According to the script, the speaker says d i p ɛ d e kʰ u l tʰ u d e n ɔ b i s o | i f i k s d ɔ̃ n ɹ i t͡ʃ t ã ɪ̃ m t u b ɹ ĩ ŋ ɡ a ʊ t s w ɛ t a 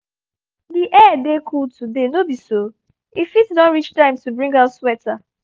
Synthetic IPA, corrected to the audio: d i ʔ ɛ d e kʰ u l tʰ u d e n o b i s o | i f i t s d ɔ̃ n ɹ i t͡ʃ t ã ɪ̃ m t u b ɹ ĩ ŋ ɡ a ʊ t s w ɛ t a